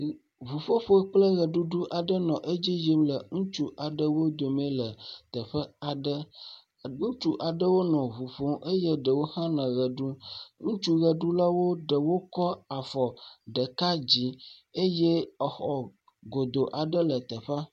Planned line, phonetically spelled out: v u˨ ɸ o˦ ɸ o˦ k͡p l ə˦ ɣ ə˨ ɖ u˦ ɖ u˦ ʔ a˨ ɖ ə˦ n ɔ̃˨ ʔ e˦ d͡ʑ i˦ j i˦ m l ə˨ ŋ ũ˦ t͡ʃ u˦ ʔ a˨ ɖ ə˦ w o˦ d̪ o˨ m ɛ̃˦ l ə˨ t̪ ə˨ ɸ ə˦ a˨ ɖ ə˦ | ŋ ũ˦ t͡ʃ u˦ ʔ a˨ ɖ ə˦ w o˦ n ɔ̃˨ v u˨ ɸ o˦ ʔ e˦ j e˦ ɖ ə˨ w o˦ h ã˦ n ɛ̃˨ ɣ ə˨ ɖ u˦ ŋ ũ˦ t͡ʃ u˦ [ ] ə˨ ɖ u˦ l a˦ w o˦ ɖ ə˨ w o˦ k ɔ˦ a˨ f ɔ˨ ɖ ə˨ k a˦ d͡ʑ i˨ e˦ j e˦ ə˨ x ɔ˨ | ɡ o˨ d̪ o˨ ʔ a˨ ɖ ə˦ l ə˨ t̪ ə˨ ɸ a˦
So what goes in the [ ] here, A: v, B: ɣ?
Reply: B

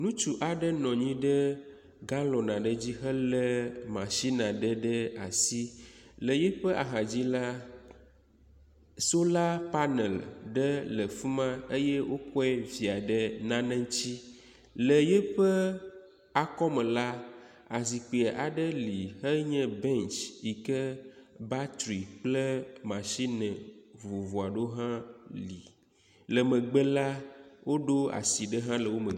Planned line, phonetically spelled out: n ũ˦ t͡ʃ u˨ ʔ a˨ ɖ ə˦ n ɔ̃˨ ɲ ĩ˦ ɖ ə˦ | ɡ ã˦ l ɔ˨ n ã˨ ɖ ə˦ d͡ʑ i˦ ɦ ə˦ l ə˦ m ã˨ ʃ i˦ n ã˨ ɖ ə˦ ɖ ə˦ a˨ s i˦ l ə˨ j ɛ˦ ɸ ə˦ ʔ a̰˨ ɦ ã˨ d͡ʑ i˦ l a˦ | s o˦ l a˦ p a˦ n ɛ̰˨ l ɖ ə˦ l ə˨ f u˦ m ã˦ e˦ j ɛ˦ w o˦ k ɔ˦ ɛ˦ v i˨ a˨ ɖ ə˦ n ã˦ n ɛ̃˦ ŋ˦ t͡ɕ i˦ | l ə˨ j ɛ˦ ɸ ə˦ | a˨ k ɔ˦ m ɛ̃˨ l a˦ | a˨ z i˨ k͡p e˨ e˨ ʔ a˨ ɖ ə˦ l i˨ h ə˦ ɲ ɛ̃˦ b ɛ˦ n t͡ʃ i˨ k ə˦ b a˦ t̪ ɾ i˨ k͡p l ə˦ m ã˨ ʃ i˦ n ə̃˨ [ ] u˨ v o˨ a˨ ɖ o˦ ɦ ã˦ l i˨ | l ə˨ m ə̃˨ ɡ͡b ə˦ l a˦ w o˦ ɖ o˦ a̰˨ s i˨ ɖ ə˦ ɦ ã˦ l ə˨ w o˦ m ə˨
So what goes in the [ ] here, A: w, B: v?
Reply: B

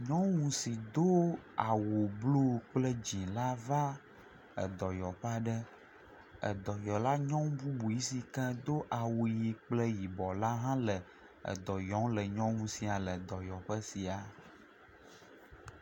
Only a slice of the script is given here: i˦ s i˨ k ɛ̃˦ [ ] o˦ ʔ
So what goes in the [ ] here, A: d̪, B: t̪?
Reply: A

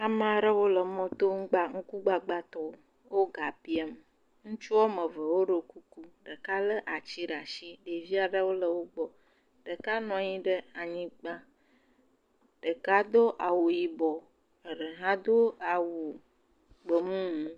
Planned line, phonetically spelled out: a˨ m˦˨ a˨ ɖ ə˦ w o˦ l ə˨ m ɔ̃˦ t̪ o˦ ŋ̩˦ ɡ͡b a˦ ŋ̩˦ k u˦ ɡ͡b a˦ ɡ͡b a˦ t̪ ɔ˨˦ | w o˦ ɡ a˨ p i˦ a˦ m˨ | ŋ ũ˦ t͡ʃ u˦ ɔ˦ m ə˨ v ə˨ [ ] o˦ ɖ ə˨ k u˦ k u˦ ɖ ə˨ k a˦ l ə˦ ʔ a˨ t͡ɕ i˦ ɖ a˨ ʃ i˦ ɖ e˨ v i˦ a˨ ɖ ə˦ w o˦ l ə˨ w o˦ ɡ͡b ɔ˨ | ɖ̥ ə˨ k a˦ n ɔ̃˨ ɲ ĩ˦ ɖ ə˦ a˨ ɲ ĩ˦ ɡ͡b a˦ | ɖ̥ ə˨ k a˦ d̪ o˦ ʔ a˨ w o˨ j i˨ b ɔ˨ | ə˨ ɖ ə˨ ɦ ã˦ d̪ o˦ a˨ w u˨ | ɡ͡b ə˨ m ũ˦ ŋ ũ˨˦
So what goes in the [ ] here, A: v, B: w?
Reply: B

